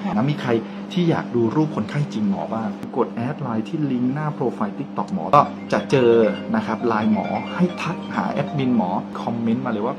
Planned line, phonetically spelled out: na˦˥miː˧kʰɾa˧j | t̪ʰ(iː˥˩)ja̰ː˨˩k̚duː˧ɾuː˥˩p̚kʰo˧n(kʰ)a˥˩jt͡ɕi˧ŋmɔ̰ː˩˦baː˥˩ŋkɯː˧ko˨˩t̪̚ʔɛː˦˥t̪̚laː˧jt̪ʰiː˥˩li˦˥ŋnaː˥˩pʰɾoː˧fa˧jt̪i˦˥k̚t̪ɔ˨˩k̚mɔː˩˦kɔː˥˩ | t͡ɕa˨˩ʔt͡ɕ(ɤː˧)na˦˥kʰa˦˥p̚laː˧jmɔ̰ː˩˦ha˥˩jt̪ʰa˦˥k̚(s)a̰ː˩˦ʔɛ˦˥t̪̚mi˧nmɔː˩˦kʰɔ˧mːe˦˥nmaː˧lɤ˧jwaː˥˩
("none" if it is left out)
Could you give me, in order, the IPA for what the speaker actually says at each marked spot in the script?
iː˥˩, kʰ, ɤː˧, h

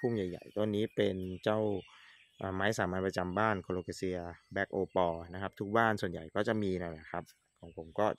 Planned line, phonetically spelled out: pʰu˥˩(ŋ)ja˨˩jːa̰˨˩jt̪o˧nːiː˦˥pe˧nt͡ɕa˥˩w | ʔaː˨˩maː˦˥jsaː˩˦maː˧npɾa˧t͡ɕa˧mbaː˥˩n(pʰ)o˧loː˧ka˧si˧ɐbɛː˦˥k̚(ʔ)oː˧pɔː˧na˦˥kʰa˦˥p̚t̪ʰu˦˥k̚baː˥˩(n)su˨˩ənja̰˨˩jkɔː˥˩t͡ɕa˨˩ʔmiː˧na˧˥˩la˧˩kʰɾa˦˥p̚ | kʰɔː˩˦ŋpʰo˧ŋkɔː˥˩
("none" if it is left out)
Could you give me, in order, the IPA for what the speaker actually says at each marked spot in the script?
ŋ, kʰ, ʔ, n

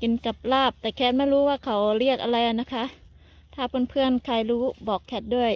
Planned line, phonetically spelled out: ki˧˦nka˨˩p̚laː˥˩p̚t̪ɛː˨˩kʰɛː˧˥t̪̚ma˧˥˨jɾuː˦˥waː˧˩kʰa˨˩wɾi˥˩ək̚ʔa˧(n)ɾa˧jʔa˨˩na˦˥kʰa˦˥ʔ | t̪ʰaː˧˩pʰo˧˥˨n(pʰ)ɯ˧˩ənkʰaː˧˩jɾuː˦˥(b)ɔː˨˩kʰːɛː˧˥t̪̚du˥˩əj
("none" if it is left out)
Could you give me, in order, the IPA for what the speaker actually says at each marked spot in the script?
none, pʰ, b

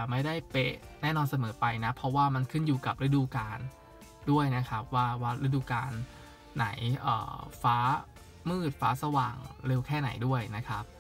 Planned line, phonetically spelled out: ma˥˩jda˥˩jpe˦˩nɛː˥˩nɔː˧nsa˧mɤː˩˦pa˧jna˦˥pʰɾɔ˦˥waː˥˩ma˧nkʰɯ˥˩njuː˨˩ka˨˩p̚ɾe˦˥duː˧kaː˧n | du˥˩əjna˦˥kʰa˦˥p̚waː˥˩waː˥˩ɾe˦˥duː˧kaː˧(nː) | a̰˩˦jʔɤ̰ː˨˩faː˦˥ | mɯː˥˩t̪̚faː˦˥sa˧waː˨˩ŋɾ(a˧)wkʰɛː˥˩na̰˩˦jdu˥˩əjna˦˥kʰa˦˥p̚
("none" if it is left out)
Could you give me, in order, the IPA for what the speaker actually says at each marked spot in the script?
nː, e˧

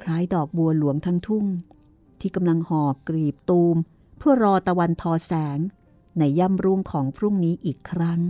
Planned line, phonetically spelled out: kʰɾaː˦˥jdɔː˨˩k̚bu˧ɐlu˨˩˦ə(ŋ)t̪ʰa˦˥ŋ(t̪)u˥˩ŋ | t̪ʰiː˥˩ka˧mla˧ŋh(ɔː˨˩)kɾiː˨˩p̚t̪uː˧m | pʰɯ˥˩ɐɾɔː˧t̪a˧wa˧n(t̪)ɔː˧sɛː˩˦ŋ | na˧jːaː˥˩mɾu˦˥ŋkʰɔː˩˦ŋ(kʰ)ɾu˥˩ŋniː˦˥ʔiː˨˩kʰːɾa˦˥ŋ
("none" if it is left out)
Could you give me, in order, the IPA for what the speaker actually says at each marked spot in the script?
ŋ, t̪ʰ, ɔː˨˩, t̪ʰ, pʰ

